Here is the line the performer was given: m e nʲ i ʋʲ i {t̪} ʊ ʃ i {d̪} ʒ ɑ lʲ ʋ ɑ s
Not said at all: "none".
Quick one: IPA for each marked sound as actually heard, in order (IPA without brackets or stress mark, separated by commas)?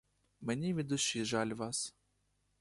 d̪, none